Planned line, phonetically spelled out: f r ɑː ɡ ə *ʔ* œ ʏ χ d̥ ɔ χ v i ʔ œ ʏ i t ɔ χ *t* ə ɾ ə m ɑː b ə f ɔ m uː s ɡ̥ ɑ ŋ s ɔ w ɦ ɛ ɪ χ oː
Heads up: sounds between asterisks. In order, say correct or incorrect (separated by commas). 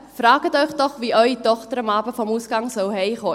incorrect, correct